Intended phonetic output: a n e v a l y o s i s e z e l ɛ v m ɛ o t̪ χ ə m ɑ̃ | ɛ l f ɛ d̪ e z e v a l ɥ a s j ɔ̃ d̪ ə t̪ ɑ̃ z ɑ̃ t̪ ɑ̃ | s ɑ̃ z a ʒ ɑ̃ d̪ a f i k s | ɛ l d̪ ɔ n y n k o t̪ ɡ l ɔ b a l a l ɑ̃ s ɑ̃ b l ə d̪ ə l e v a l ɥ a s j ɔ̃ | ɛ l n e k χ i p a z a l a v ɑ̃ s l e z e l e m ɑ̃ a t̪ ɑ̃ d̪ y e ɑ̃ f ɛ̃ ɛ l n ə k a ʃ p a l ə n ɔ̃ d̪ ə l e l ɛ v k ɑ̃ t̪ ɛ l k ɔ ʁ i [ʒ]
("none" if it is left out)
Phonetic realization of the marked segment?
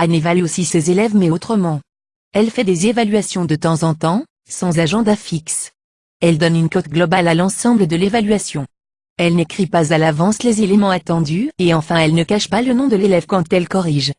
ʒ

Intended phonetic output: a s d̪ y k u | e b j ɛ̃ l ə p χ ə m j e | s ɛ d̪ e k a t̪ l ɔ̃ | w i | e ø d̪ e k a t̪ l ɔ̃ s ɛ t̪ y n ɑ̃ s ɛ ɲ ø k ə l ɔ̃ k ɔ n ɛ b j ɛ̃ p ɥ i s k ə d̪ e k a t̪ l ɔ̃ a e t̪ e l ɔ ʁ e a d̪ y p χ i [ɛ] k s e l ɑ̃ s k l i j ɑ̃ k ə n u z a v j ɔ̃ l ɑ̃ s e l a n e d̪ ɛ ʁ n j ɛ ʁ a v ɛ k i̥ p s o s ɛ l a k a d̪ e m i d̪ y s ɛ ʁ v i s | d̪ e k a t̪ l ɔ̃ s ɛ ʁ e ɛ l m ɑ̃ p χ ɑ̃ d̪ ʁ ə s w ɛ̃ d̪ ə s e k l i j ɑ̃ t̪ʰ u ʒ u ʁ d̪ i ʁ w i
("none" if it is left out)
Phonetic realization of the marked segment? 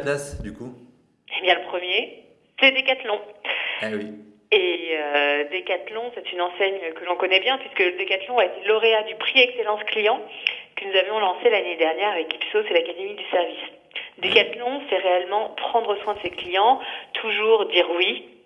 ɛ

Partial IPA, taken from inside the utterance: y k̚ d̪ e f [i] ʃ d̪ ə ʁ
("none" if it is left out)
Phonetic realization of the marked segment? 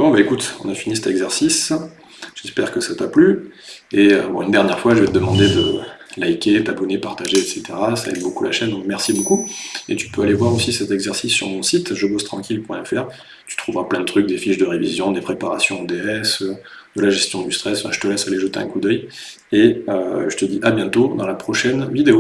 i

